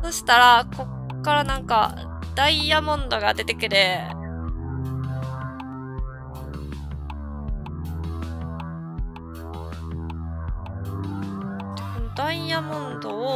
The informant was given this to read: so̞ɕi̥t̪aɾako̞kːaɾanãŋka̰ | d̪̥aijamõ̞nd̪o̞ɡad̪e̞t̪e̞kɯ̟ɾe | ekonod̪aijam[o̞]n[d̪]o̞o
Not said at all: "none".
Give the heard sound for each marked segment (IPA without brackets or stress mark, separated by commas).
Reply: õ̞, d̪